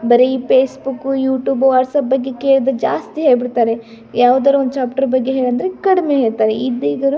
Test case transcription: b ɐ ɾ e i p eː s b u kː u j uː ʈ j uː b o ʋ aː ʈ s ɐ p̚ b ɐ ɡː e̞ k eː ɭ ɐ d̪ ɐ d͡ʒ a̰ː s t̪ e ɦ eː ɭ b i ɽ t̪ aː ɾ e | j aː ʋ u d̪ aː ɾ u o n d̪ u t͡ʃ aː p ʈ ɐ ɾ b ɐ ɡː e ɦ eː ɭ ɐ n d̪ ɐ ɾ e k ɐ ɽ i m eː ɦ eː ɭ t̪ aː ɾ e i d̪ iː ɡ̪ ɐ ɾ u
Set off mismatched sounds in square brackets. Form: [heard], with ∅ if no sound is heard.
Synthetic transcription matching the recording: b ɐ ɾ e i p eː s b u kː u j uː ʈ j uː b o ʋ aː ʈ s ɐ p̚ b ɐ ɡː e̞ k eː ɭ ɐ d̪ ɐ d͡ʒ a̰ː s t̪ [i] ɦ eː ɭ b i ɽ t̪ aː ɾ e | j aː ʋ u d̪ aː ɾ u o n d̪ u t͡ʃ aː p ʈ ɐ ɾ b ɐ ɡː e ɦ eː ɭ ɐ n d̪ ɐ ɾ e k ɐ ɽ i m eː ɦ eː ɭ t̪ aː ɾ e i d̪ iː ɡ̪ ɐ ɾ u